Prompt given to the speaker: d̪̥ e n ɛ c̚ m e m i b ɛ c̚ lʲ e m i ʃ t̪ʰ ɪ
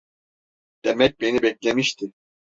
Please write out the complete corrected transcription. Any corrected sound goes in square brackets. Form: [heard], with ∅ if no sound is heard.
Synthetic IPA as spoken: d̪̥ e [m] ɛ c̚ [b] e [n] i b ɛ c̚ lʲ e m i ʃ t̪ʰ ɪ